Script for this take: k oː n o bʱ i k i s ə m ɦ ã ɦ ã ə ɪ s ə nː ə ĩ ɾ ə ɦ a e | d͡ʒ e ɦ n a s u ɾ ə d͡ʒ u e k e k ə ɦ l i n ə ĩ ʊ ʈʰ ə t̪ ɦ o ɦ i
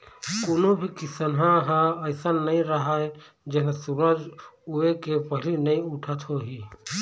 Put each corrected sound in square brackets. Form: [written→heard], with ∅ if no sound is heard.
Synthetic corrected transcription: k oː n o bʱ i k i s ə [m→n] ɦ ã ɦ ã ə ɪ s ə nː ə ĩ ɾ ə ɦ a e | d͡ʒ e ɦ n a s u ɾ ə d͡ʒ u e k e [k→p] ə ɦ l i n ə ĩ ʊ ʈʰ ə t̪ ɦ o ɦ i